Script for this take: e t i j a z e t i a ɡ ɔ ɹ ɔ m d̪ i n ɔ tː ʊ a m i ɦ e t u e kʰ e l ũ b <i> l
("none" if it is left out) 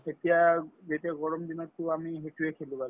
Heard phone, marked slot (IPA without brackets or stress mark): a